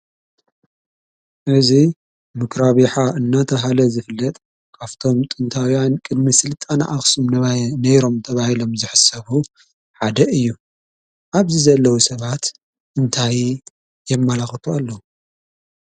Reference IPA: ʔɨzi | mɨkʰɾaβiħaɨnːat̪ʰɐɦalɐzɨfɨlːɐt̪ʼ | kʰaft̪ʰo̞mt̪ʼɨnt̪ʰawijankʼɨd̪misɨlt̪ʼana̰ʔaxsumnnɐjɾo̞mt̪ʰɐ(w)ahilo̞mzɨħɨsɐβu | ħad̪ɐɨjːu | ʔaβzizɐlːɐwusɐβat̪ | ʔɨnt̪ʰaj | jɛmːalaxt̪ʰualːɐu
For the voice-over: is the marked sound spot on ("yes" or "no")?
no